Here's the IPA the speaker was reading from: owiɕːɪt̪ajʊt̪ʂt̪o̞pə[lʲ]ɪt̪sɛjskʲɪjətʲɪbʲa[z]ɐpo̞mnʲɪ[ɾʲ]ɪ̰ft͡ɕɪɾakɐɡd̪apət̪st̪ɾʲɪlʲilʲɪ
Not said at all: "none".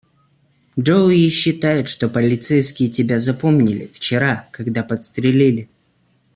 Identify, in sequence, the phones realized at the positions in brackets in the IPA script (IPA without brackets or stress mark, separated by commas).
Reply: lʲ, z, lʲ